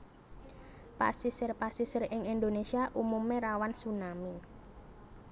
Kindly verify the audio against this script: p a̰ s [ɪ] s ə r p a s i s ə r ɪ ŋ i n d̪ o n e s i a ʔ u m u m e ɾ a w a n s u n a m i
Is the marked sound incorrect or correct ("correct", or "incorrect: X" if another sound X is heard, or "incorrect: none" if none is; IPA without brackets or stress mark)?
incorrect: i